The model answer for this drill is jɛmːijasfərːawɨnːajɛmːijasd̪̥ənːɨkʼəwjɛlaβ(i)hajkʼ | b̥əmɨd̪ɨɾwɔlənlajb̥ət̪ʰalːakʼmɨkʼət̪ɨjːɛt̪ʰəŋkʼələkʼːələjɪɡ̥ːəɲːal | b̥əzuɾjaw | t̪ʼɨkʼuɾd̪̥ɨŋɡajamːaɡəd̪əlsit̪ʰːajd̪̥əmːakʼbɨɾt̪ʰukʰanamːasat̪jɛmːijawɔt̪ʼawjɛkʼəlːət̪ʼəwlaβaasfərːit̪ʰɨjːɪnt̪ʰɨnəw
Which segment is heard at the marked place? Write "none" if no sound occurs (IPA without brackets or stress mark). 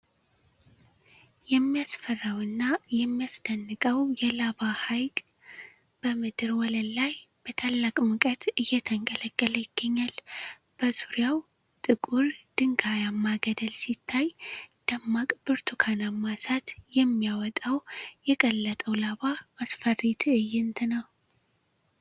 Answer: a